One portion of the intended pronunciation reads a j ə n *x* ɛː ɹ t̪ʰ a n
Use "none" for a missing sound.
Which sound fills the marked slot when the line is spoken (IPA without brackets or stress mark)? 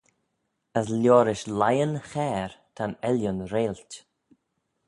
x